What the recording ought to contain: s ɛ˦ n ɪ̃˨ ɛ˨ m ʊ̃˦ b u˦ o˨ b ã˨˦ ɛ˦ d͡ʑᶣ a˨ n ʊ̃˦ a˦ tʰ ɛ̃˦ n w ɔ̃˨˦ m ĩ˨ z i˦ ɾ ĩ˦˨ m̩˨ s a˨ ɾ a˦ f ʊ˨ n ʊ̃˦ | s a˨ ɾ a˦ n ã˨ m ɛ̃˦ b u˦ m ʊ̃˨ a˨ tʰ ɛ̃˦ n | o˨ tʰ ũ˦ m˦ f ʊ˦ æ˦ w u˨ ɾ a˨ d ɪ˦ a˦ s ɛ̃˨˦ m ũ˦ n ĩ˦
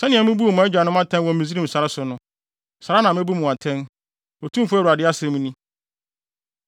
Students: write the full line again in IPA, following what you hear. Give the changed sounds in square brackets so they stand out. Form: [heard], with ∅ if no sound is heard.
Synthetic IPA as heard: s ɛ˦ n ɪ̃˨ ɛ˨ m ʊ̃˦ b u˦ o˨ [m] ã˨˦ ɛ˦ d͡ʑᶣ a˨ n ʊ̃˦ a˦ tʰ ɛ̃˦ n w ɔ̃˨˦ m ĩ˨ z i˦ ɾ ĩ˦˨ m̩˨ s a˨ ɾ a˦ [s] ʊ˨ n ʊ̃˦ | s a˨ ɾ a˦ n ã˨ m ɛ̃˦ b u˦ m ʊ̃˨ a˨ tʰ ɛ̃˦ n | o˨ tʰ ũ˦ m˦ f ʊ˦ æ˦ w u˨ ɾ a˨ d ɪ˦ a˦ s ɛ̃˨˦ m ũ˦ n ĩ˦